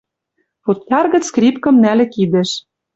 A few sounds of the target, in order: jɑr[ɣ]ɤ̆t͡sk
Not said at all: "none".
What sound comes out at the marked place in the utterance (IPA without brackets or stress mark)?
ɣ